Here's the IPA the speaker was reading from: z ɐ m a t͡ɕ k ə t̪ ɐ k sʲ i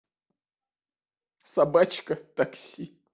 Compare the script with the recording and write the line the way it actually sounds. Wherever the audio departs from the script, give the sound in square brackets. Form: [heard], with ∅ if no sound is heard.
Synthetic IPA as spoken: [s] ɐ [b] a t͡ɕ k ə t̪ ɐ k sʲ i